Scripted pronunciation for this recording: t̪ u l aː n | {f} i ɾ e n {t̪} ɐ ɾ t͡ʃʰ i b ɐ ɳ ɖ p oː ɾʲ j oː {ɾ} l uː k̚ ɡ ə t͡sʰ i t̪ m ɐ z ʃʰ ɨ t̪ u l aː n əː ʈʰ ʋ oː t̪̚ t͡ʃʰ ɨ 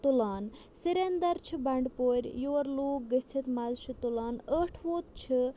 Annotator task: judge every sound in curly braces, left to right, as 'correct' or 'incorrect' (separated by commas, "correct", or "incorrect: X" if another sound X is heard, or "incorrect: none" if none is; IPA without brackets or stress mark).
incorrect: s, incorrect: d̪, correct